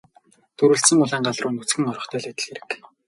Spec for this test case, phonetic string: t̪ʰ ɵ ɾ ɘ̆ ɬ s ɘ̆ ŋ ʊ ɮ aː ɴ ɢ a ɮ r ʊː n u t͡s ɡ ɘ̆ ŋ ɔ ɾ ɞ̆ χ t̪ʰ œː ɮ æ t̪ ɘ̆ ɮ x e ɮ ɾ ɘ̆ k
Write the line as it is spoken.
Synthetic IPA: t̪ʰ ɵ ɾ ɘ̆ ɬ s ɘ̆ ŋ ʊ ɮ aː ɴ ɢ a ɮ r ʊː n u t͡s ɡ ɘ̆ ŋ ɔ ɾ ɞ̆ χ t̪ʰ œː ɮ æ t̪ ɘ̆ ɮ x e ɾ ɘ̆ k